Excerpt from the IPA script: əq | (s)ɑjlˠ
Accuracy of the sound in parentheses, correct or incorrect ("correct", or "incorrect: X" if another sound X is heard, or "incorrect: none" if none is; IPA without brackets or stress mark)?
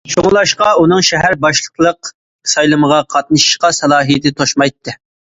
correct